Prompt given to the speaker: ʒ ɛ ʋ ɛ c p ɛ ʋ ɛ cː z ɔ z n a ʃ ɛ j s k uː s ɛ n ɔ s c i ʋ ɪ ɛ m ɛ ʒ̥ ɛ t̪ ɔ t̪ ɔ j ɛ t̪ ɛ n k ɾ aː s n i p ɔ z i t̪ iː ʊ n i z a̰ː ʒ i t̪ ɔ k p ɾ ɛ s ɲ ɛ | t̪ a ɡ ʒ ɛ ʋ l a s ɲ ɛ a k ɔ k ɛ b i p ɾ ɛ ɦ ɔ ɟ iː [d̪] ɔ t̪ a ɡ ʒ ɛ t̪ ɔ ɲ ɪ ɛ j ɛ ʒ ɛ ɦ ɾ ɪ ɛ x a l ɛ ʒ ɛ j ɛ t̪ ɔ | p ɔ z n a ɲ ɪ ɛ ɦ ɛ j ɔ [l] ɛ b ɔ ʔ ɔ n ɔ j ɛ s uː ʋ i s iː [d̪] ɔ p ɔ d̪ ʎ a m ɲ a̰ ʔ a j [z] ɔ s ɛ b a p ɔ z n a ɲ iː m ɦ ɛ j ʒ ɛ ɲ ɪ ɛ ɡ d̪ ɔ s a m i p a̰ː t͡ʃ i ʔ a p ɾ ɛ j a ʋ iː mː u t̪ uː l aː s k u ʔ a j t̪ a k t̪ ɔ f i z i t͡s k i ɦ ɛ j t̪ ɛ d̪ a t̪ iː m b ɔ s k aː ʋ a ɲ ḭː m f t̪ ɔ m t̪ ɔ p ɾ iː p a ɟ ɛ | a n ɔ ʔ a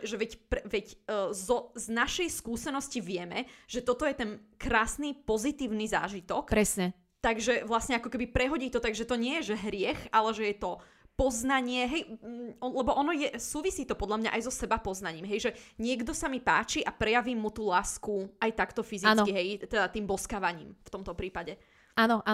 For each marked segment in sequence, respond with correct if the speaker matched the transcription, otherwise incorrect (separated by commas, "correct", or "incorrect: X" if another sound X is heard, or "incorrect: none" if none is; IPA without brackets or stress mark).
incorrect: t̪, correct, incorrect: t̪, correct